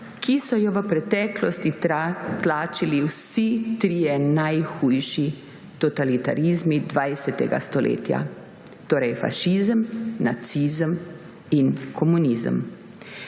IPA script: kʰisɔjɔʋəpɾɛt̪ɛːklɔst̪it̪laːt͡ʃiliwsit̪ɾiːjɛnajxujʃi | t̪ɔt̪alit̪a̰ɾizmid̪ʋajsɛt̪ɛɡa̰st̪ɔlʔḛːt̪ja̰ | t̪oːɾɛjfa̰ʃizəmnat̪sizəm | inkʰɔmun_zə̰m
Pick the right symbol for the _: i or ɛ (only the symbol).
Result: i